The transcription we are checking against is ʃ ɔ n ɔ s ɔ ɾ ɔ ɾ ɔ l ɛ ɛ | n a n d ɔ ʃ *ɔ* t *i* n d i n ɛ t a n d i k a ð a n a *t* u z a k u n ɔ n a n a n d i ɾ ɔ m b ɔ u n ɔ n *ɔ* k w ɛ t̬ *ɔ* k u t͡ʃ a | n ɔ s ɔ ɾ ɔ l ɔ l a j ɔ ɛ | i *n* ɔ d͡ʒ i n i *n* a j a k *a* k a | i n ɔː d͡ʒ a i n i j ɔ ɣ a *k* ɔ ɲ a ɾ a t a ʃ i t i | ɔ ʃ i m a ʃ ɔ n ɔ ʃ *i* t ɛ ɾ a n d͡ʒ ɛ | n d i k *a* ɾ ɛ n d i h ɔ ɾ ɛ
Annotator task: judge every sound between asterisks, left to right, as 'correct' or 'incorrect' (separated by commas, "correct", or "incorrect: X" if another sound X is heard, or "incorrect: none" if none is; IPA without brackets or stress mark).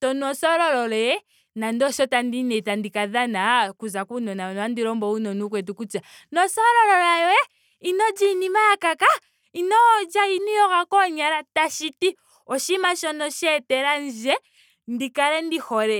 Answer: correct, incorrect: a, incorrect: k, incorrect: u, incorrect: u, correct, incorrect: m, correct, correct, incorrect: ɛ, correct